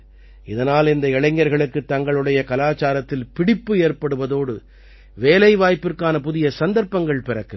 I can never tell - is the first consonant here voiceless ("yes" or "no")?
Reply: no